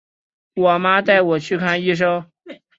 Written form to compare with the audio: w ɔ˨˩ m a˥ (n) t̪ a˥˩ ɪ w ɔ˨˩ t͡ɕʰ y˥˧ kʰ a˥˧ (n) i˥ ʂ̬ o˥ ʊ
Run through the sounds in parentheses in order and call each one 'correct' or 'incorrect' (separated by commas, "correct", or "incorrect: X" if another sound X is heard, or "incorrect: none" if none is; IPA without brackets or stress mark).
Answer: incorrect: none, correct